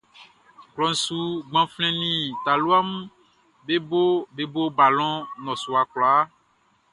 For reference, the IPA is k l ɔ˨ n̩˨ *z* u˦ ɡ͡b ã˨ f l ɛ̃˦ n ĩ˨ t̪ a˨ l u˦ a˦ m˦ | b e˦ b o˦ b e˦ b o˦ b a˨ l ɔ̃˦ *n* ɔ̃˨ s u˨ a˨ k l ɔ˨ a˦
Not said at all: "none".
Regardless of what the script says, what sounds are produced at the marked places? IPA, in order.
s, n

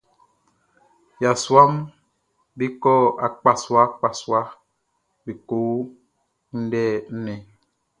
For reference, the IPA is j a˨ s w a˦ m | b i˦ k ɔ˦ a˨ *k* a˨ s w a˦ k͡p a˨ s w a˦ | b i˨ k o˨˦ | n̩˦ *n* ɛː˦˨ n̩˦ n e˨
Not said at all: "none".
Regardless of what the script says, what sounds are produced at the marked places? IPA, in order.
k͡p, d

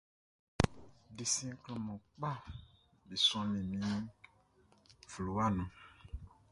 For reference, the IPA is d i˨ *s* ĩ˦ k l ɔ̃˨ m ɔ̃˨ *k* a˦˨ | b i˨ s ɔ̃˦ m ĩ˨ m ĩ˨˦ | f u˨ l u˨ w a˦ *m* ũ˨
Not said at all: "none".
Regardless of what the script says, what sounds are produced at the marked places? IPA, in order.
s, k͡p, n

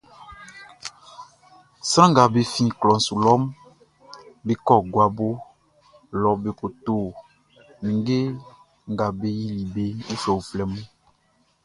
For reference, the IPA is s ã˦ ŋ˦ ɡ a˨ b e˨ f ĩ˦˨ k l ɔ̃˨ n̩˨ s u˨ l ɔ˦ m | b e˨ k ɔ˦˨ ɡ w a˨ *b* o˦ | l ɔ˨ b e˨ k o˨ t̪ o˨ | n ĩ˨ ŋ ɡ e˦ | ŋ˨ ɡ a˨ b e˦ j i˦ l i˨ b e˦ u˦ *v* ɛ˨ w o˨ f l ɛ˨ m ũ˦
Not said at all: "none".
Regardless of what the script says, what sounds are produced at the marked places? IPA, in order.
b, f

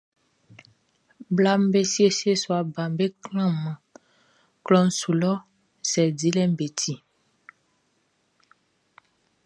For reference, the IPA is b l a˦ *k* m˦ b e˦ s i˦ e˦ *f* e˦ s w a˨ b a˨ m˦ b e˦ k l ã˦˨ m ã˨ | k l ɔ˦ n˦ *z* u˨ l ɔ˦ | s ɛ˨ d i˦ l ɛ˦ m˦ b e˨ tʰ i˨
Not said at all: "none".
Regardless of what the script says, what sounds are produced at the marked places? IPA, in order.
none, s, s

